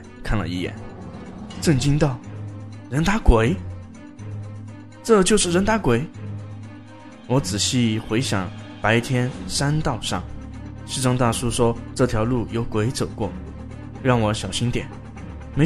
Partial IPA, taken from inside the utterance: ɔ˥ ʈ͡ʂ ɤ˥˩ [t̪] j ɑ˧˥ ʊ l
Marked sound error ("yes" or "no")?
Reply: yes